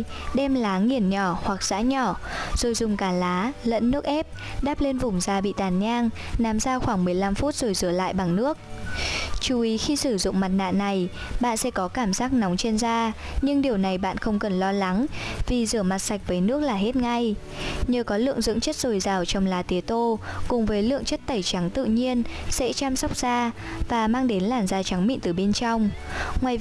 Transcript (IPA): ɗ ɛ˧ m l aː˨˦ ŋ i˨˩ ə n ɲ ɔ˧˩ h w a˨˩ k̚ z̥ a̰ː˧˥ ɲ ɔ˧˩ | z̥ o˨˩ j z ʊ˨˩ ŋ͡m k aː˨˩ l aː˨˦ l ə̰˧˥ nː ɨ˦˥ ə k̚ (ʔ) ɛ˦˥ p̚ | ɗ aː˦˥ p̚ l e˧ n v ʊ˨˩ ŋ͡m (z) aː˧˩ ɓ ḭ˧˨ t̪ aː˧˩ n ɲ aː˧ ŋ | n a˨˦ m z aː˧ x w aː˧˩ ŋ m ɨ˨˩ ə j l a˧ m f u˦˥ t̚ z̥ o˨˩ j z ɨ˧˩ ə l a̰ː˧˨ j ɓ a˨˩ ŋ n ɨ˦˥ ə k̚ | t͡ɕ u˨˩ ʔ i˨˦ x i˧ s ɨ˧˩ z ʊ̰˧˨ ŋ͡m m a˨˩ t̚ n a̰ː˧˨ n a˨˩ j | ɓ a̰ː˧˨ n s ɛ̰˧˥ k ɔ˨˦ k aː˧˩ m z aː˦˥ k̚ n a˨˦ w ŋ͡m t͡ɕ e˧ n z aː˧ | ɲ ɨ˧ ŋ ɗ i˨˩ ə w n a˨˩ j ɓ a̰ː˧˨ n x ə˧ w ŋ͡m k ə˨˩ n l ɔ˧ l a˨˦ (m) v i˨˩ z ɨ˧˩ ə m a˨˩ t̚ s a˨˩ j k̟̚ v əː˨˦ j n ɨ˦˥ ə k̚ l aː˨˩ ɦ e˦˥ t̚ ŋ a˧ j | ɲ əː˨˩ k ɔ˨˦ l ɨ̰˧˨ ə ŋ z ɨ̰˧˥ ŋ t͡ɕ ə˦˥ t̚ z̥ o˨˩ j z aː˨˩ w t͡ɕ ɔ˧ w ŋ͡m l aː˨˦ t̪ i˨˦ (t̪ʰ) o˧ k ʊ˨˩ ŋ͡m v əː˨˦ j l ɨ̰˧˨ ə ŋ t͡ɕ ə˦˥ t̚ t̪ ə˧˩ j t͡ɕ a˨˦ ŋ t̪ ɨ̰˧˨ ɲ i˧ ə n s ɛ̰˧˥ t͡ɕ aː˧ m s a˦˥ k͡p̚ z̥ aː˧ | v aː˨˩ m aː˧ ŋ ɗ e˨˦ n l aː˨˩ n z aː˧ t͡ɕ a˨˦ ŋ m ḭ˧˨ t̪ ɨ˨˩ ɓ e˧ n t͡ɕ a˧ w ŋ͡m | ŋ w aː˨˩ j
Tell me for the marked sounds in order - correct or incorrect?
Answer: correct, correct, incorrect, incorrect

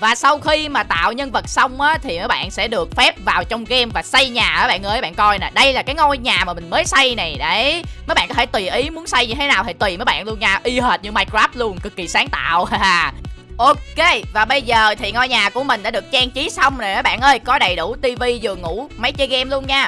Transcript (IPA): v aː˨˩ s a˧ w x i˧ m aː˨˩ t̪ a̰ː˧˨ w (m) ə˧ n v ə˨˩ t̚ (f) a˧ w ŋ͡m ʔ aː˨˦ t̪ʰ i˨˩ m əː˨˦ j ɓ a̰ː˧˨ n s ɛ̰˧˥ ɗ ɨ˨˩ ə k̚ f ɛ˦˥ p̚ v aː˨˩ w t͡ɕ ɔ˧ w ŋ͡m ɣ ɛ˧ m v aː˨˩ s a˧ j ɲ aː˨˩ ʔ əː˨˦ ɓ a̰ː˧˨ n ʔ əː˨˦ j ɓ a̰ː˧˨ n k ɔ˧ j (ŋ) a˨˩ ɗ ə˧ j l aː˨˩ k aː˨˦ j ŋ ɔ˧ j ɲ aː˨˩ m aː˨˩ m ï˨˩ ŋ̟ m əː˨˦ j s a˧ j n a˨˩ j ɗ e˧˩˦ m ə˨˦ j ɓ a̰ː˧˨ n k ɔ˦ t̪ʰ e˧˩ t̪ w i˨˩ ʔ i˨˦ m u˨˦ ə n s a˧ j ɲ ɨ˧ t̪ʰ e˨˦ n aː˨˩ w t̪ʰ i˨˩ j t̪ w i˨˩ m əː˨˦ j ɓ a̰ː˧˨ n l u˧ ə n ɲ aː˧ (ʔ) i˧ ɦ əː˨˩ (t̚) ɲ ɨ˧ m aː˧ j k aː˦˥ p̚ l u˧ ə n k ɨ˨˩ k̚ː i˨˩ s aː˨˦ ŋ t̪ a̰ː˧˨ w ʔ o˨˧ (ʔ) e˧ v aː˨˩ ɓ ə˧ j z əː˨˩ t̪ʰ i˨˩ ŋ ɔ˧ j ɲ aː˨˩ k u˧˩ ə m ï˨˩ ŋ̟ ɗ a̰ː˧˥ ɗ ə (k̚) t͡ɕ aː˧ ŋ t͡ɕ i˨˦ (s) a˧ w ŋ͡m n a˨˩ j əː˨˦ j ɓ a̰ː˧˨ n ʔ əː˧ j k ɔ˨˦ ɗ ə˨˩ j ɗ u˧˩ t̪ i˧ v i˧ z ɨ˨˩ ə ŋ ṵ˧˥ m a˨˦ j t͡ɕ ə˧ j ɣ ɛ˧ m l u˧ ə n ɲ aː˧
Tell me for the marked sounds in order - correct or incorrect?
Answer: incorrect, incorrect, incorrect, correct, correct, incorrect, correct, correct

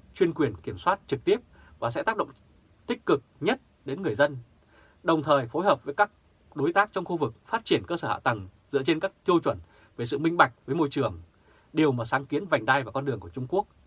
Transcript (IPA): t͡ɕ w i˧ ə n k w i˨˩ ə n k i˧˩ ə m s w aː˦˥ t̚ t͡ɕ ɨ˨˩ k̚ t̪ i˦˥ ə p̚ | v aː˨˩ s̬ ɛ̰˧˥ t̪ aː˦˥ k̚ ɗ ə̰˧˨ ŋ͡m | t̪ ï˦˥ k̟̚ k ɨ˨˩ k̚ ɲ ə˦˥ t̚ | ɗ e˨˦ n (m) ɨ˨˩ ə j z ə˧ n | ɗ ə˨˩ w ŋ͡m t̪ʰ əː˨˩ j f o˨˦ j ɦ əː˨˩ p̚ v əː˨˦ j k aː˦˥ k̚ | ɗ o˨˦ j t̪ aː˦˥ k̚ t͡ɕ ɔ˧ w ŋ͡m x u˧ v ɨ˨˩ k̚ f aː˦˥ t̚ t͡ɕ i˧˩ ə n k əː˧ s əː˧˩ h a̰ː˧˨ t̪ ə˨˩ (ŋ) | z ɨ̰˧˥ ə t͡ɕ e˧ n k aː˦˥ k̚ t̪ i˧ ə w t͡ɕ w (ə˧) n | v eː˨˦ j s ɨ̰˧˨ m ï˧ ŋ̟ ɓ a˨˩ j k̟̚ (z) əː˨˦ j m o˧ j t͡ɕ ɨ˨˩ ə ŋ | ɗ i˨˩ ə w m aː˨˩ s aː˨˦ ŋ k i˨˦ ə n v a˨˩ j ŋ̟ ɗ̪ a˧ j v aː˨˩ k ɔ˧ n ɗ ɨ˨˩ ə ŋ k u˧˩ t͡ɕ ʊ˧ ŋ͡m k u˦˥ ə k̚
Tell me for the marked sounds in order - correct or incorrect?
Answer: incorrect, correct, incorrect, incorrect

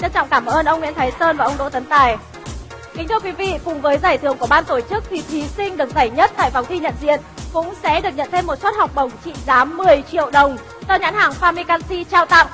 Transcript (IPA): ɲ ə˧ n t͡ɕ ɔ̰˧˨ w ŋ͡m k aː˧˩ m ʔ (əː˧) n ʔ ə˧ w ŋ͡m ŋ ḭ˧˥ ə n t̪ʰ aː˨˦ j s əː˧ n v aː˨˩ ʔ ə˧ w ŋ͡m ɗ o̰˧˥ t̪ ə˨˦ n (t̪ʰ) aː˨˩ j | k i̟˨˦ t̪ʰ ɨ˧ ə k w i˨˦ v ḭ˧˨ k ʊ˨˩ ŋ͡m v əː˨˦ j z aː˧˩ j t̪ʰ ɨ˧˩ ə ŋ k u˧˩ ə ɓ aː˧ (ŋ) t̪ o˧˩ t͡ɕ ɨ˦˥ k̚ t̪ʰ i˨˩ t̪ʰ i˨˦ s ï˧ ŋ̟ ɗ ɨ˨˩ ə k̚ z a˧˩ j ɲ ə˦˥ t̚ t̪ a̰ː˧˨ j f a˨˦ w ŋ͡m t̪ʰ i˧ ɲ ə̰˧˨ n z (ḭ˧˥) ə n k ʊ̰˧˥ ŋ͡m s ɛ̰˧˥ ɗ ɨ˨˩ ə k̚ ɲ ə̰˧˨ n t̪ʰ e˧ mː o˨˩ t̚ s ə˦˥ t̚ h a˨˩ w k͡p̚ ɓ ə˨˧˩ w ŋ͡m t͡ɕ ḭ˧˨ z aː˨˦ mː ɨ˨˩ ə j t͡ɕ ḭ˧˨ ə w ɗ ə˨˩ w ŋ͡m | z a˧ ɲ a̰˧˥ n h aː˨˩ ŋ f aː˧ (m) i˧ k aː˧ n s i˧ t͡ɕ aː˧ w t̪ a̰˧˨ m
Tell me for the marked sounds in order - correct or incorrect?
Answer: correct, incorrect, incorrect, incorrect, correct

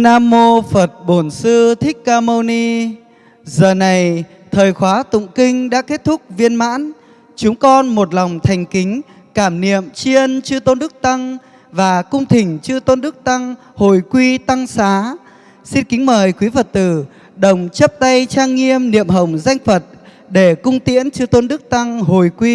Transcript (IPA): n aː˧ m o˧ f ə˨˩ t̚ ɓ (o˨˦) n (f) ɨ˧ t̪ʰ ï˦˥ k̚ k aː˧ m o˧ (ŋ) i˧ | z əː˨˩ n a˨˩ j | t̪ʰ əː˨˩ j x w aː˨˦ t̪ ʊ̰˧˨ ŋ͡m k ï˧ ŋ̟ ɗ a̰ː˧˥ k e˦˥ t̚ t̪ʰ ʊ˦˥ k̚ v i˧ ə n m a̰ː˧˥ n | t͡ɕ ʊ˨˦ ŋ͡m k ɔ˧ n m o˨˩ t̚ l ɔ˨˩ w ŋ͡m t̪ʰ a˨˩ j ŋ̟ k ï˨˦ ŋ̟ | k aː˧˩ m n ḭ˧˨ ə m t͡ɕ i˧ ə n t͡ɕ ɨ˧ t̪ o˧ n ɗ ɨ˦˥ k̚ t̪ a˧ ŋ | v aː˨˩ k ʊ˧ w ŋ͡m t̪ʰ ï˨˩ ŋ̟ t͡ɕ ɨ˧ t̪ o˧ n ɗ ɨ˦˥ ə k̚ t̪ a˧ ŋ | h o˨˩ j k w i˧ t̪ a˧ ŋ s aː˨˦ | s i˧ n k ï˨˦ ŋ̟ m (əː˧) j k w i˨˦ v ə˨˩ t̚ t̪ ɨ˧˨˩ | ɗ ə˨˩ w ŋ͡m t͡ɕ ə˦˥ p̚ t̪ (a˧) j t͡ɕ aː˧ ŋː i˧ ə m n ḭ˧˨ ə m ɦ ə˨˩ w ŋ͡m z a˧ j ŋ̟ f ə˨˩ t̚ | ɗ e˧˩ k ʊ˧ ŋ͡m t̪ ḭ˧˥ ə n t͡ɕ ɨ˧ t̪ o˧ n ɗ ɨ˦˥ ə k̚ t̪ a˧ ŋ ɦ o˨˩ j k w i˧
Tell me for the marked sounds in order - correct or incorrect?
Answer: incorrect, incorrect, incorrect, incorrect, correct

